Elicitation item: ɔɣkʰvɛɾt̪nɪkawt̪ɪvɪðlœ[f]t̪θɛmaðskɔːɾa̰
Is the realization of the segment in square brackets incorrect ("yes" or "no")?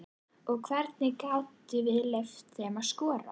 no